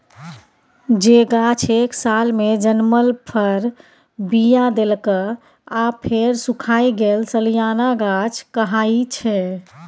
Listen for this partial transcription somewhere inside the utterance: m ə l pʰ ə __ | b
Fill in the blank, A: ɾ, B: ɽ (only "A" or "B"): A